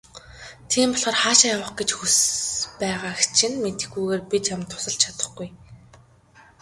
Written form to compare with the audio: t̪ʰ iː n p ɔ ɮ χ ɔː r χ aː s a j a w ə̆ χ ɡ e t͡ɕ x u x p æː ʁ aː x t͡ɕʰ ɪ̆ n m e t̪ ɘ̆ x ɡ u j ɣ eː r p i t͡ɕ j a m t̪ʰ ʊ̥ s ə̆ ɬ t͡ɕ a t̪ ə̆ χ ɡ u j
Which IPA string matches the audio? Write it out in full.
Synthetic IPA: t̪ʰ iː m p ɔ ɮ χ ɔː r χ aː ʃ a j a w ə̆ χ ɡ e t͡ɕ x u s p æː ʁ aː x t͡ɕʰ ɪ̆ n m e t̪ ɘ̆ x ɡ u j ɣ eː r p i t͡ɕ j a m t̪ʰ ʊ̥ s ə̆ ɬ t͡ɕʰ a t̪ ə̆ χ ɡ u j